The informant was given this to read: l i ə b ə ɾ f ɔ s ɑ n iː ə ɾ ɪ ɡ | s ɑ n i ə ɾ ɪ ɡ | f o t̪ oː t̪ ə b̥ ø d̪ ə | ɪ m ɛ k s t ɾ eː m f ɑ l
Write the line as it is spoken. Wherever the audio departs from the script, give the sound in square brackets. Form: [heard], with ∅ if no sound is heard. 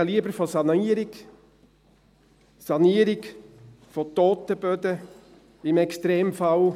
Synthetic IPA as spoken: l i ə b ə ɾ f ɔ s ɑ n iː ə ɾ ɪ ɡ | s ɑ n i ə ɾ ɪ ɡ | f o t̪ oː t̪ ə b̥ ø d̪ ə | ɪ m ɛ k s t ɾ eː m f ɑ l